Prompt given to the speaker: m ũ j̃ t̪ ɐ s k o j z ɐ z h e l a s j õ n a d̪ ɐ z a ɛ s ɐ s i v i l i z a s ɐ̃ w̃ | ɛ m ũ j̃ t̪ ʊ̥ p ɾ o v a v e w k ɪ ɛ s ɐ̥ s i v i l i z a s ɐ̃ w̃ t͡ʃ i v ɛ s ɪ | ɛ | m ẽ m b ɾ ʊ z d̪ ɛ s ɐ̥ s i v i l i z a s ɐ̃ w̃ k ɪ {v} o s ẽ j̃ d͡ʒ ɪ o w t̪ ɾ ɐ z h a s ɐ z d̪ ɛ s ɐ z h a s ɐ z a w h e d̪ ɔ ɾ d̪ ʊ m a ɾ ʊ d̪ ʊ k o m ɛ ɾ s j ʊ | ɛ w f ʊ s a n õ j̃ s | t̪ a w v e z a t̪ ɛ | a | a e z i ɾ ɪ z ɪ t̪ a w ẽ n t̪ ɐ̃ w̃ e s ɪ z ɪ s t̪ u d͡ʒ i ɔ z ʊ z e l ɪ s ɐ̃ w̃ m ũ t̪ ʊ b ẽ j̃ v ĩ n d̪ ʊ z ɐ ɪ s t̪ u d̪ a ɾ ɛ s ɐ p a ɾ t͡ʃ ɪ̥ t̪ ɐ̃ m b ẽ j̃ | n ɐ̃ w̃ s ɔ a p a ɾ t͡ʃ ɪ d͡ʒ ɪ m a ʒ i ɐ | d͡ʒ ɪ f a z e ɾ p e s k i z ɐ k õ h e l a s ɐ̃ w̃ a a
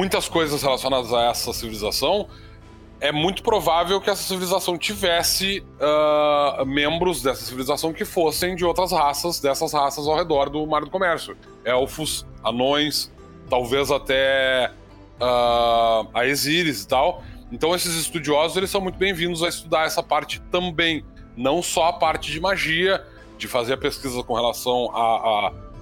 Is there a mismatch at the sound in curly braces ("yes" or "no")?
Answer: yes